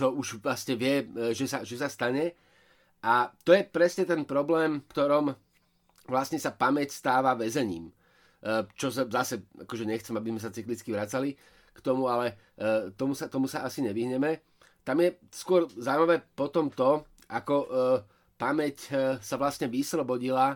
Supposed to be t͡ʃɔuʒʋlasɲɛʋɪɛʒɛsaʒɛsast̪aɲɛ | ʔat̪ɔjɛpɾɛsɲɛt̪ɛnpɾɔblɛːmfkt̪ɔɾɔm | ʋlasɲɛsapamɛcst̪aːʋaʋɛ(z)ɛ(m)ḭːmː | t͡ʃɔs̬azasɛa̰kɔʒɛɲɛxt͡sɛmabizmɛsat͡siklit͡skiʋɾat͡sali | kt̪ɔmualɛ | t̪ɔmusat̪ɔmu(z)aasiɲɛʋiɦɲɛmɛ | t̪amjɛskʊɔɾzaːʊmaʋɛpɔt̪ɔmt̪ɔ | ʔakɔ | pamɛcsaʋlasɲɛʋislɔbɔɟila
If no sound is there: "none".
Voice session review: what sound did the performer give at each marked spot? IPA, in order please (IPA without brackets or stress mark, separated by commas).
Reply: z, ɲ, s